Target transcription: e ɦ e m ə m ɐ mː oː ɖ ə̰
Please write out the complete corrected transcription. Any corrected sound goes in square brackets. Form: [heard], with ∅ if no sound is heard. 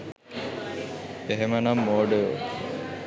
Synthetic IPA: e ɦ e m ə [n] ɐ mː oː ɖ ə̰